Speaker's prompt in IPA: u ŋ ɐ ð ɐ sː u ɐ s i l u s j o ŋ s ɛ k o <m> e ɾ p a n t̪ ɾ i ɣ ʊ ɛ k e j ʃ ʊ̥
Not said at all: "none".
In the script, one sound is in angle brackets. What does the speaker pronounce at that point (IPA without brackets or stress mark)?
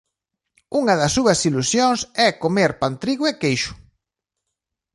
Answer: m